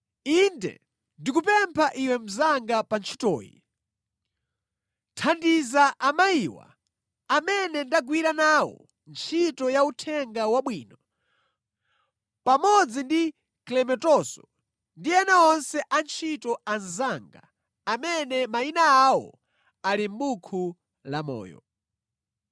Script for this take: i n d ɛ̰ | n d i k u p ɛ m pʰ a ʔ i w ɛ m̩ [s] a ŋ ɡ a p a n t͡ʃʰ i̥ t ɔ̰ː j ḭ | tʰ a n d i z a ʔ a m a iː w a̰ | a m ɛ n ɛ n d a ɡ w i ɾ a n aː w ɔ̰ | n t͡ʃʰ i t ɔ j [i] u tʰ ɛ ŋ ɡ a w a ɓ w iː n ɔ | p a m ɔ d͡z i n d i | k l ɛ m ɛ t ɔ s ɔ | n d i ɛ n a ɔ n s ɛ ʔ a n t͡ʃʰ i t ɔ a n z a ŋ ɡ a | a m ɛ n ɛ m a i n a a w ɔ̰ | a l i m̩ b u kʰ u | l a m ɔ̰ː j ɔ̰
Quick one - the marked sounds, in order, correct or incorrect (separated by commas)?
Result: incorrect, incorrect